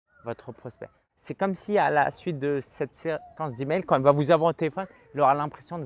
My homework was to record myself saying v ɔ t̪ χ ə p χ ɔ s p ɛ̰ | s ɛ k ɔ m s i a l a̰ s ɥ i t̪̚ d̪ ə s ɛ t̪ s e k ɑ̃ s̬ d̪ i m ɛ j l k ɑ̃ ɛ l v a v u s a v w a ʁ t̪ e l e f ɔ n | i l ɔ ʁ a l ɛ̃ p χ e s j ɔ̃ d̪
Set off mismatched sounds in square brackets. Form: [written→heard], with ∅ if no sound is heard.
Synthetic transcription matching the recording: v ɔ t̪ χ ə p χ ɔ s p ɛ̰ | s ɛ k ɔ m s i a l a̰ s ɥ i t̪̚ d̪ ə s ɛ t̪ s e k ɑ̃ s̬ d̪ i m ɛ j l k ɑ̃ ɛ l v a v u [s→z] a v w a ʁ t̪ e l e f ɔ n | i l ɔ ʁ a l ɛ̃ p χ e s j ɔ̃ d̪